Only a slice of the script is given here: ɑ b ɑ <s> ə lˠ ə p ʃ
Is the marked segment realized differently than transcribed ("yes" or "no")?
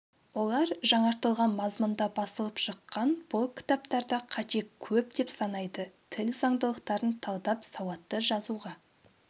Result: no